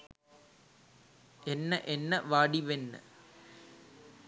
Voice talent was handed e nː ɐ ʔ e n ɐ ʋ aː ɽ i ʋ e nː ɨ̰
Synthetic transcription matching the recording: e nː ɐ ʔ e nː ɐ ʋ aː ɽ i ʋ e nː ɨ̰